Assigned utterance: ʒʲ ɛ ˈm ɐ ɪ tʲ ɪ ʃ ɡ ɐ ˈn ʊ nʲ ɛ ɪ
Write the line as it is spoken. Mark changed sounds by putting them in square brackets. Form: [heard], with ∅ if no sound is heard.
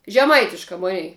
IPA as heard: ʒʲ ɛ ˈm ɐ ɪ tʲ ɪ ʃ [k] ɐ [ˈm] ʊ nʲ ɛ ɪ